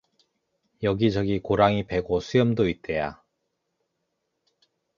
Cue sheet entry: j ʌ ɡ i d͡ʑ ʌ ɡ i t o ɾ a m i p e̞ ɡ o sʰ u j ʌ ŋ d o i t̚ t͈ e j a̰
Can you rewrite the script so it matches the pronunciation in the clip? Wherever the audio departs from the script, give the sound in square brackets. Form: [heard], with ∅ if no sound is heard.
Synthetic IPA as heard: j ʌ ɡ i d͡ʑ ʌ ɡ i [k] o ɾ a [ŋ] i p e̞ ɡ o sʰ u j ʌ [m] d o i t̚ t͈ e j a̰